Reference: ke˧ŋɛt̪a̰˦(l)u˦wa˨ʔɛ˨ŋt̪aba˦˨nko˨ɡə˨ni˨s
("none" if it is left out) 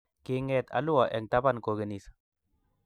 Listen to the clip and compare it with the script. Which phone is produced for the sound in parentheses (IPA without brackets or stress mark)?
l